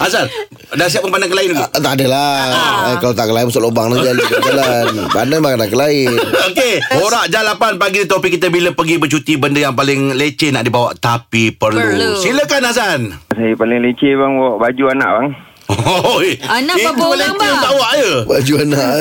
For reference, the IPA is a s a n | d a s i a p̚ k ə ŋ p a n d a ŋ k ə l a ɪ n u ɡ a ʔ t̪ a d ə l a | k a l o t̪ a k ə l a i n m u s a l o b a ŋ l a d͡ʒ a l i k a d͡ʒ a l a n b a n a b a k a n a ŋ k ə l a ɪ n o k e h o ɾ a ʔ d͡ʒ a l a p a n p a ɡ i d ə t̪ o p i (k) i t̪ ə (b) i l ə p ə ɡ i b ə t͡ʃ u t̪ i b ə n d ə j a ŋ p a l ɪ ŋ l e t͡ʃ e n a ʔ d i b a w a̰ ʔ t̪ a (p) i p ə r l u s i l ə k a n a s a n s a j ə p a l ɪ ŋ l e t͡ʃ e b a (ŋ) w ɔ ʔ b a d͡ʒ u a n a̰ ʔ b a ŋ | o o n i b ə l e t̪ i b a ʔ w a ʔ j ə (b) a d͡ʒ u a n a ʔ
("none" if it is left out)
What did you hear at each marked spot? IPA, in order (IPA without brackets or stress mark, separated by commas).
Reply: k, b, p, ŋ, b